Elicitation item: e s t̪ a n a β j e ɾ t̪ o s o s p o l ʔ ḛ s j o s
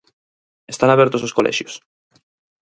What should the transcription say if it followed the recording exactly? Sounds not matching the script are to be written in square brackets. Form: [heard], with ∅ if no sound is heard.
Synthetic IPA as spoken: e s t̪ a n a β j e ɾ t̪ o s o s [k] o l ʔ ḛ [ʃ] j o s